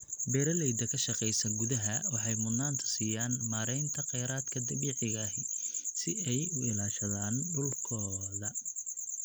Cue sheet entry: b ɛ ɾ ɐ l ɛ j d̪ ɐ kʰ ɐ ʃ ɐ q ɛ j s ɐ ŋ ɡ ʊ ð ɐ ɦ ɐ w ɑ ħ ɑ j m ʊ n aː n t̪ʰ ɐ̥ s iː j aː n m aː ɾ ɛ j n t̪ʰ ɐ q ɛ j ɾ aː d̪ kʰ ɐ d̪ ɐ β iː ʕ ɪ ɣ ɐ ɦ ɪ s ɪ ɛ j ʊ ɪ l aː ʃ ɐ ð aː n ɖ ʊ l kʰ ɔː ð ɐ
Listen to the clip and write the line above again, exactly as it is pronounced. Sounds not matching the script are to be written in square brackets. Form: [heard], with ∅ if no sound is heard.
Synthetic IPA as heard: b ɛ ɾ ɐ l ɛ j d̪ ɐ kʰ ɐ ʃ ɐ q ɛ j s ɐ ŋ ɡ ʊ ð ɐ ɦ ɐ w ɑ ħ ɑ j m ʊ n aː n t̪ʰ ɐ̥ s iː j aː n m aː ɾ ɛ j n t̪ʰ ɐ q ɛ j ɾ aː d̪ kʰ ɐ d̪ ɐ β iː ʕ ɪ ɣ ɐ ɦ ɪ s ɪ ɛ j ʊ ɪ l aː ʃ ɐ ð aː n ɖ ʊ l kʰ ɔː ð ɐ